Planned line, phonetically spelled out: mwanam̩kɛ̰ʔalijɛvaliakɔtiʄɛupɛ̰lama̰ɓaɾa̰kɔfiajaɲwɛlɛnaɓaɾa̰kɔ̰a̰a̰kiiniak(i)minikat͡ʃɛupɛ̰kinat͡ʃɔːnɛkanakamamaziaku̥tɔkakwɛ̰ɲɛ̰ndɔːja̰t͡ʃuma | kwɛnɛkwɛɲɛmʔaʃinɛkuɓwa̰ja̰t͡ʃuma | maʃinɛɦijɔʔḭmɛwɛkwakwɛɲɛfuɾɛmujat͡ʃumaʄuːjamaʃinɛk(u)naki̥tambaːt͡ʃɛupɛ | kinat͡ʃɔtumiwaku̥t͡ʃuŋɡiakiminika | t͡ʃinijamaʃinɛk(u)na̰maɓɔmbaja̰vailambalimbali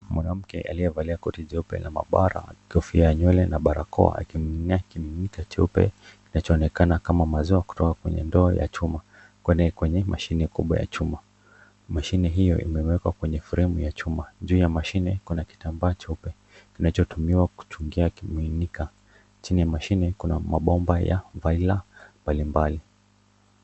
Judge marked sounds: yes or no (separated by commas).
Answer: yes, yes, yes